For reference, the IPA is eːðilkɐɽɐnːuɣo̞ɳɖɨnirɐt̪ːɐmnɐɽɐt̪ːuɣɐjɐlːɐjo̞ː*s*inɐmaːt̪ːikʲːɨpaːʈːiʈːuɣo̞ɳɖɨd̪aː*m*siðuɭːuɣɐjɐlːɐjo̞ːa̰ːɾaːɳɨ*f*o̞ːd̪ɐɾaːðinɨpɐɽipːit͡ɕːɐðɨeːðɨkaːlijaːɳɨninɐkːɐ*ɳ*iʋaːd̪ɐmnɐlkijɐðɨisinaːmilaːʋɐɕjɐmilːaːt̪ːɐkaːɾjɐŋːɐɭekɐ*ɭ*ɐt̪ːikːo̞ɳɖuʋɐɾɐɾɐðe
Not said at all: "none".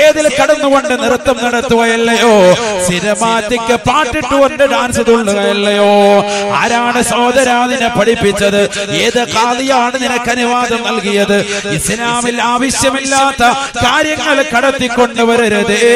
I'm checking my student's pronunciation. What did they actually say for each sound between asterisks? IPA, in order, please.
s, n, s, n, ɽ

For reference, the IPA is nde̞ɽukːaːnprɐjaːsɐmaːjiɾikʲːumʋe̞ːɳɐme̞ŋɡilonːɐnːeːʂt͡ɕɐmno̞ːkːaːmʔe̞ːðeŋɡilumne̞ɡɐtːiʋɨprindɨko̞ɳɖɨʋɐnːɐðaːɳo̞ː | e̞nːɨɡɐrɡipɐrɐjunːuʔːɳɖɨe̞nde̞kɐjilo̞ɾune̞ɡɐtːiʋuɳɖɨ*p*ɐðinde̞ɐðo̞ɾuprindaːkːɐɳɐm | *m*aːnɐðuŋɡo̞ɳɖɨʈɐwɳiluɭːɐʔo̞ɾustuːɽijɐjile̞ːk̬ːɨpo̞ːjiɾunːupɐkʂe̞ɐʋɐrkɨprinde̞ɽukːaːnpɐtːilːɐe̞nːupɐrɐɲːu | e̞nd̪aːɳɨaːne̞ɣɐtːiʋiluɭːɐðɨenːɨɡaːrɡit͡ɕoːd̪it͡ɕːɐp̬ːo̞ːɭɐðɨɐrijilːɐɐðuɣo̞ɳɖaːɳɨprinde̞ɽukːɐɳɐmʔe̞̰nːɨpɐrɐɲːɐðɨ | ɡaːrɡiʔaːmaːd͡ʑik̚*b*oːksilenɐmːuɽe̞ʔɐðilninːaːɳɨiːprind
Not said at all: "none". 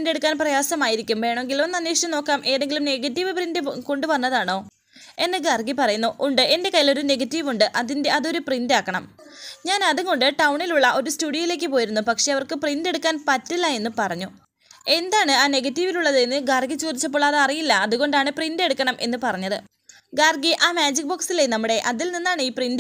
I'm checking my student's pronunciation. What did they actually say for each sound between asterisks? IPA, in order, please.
ʔ, ɲ, b

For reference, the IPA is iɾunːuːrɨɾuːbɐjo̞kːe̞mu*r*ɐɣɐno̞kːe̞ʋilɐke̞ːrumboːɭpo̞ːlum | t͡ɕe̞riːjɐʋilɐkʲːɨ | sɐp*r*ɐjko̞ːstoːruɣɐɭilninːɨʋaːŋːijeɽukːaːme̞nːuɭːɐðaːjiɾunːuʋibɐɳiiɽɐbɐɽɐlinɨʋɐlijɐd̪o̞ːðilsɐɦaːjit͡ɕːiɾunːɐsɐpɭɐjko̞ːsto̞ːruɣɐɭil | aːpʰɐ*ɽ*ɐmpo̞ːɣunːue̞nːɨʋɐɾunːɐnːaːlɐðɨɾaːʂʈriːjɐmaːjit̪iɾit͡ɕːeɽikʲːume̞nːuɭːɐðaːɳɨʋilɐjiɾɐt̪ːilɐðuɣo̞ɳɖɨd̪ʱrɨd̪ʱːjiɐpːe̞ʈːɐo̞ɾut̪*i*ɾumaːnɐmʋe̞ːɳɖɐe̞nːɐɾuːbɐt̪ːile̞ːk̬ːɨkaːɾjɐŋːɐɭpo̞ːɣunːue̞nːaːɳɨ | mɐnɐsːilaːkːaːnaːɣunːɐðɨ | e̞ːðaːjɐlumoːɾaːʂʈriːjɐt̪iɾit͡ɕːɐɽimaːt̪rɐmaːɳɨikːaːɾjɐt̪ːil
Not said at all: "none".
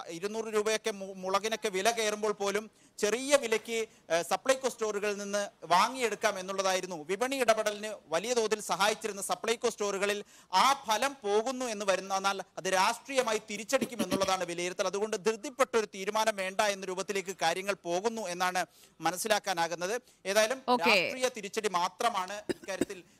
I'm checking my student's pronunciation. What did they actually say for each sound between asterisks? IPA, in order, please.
ɭ, ɭ, l, iː

